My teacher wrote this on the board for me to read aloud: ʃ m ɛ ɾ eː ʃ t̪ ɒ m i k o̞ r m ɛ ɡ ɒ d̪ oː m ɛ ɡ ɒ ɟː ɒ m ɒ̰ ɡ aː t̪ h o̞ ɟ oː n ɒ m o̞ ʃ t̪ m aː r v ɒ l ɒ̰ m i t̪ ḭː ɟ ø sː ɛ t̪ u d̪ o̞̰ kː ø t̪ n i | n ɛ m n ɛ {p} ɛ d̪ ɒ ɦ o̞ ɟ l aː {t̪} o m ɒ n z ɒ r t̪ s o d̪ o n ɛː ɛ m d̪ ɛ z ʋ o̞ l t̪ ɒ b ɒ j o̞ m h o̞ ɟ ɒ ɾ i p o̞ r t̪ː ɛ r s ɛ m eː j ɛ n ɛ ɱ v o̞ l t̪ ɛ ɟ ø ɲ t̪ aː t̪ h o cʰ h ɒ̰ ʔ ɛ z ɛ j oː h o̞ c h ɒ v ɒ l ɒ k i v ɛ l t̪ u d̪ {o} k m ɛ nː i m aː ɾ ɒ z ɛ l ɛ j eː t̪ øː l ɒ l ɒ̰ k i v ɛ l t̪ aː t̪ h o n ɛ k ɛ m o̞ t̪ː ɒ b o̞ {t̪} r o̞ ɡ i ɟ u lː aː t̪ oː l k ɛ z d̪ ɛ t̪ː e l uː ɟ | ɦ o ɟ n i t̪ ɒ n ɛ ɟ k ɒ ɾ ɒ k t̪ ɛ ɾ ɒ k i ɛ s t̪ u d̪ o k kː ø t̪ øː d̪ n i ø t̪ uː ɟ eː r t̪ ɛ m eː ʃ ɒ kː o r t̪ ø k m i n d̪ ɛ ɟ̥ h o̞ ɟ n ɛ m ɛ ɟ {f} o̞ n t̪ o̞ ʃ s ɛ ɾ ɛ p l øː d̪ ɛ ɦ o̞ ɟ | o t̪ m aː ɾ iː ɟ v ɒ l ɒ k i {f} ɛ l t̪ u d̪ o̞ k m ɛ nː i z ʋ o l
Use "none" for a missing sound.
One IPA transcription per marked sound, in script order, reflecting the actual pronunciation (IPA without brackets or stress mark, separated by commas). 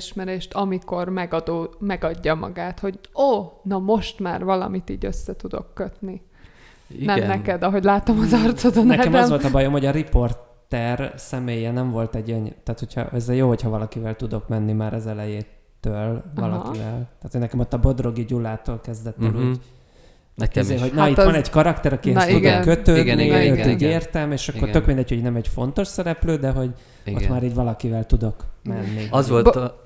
k, t̪, o, d̪, f, v